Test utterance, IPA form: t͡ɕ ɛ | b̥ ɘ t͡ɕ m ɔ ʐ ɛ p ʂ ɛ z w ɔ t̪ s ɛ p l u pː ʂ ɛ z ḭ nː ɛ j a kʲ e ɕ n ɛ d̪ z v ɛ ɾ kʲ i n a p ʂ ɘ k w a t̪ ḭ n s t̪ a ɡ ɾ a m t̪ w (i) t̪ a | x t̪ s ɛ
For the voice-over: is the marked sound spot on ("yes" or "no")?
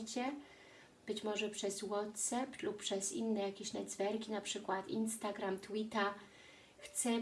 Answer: yes